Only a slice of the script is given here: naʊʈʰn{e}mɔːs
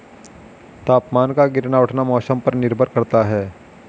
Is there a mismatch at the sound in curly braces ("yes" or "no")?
yes